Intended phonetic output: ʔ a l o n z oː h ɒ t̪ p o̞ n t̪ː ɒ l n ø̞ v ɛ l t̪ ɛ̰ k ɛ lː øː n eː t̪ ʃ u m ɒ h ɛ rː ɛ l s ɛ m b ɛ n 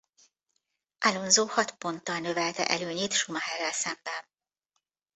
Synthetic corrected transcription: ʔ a l o n z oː h ɒ t̪ p o̞ n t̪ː ɒ l n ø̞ v ɛ l t̪ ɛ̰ ʔ ɛ l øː ɲ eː t̪ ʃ u m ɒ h ɛ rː ɛ l s ɛ m b ɛ n